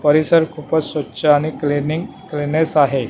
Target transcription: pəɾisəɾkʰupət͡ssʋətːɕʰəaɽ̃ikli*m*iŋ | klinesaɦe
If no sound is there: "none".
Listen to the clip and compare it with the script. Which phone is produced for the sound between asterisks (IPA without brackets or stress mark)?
n